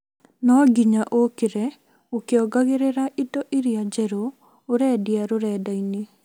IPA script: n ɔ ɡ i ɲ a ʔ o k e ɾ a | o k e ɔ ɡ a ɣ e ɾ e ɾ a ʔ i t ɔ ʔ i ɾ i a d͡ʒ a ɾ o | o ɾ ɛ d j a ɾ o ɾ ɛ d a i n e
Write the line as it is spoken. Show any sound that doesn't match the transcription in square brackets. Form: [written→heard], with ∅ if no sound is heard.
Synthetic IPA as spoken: n ɔ ɡ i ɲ a ʔ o k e ɾ [a→ɛ] | o k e ɔ ɡ a ɣ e ɾ e ɾ a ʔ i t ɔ ʔ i ɾ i a d͡ʒ [a→ɛ] ɾ o | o ɾ ɛ d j a ɾ o ɾ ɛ d a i n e